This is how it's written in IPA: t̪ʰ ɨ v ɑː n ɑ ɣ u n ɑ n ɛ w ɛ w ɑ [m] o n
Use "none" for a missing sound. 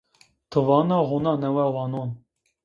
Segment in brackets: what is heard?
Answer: n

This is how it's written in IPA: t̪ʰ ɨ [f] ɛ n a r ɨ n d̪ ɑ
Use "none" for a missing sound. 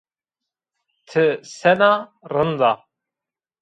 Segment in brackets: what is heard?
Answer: s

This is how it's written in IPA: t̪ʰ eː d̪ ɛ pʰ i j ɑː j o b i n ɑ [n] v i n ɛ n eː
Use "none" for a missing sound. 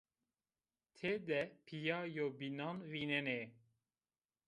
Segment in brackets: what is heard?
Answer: n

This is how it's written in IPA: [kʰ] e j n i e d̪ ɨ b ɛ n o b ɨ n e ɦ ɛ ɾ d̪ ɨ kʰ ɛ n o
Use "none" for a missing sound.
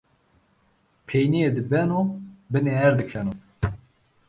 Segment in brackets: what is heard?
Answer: pʰ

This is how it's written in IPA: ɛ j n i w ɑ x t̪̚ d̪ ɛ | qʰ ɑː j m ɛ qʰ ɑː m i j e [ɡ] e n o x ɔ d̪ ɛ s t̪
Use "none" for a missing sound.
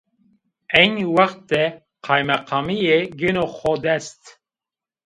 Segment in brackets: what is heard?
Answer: ɡ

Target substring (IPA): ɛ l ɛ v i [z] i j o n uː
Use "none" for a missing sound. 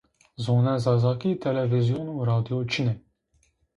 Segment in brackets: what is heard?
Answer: z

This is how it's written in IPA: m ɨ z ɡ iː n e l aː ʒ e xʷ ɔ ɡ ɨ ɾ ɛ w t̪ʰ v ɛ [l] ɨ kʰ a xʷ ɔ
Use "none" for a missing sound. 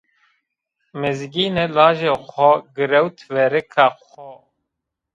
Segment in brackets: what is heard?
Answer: ɾ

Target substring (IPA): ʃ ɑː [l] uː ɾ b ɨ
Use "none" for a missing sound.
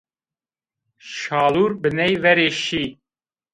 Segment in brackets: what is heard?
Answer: l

